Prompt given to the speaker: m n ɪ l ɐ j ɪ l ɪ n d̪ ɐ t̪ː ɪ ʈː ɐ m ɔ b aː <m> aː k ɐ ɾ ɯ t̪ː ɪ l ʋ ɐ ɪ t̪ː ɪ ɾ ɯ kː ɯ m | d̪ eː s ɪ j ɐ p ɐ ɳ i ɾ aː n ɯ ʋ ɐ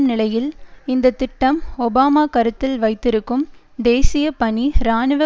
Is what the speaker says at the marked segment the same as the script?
yes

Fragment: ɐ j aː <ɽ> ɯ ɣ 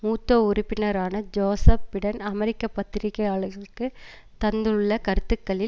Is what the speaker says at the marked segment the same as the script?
no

